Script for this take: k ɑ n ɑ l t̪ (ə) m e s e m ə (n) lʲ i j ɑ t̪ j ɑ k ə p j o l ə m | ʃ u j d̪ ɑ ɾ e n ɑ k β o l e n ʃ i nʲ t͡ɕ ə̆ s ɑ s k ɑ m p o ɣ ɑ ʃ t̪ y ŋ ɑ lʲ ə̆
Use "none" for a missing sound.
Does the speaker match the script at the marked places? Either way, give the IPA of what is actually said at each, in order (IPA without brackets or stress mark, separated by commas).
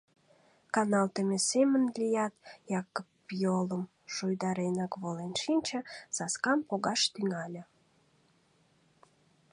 ə, n